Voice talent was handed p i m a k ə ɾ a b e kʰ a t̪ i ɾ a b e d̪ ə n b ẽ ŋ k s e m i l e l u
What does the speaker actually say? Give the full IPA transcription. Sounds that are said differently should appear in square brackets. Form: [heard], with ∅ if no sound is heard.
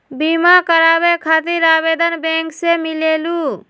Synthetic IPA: [b] i m a k ə ɾ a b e kʰ a t̪ i ɾ a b e d̪ ə n b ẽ ŋ k s e m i l e l u